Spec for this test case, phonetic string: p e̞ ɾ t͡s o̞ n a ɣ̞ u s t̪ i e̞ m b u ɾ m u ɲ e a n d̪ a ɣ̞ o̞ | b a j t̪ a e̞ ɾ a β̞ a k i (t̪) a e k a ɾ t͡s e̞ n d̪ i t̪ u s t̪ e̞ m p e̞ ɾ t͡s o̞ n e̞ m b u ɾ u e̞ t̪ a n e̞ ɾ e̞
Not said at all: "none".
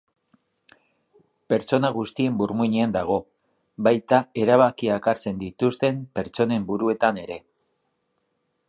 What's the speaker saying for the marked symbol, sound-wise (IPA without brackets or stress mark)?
none